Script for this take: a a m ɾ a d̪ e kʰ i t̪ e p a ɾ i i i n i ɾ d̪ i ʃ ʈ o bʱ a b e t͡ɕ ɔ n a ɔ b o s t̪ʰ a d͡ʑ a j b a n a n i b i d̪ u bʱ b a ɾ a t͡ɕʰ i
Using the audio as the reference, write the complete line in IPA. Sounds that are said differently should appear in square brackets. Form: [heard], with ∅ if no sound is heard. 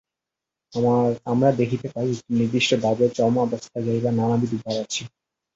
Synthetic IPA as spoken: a a m ɾ a d̪ e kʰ i t̪ e p a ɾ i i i n i ɾ d̪ i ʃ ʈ o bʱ a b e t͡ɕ ɔ [m] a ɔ b o s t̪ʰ a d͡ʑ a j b a n a n [a] b i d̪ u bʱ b a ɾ a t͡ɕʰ i